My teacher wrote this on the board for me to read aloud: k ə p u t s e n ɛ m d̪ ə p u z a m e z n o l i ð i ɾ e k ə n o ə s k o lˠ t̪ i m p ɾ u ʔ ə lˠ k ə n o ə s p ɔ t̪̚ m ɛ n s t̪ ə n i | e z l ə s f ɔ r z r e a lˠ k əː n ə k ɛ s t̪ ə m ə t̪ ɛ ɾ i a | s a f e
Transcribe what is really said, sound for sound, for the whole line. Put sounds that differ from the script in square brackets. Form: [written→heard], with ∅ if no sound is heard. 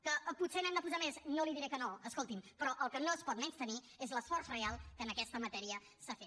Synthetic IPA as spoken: k ə p u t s e n ɛ m d̪ ə p u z a m e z n o l i ð i ɾ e k ə n o ə s k o lˠ t̪ i m p ɾ [u→ɔ] ʔ ə lˠ k ə n o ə s p ɔ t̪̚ m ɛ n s t̪ ə n i | e z l ə s f ɔ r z r e a lˠ k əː n ə k ɛ s t̪ ə m ə t̪ ɛ ɾ i [a→ə] | s a f e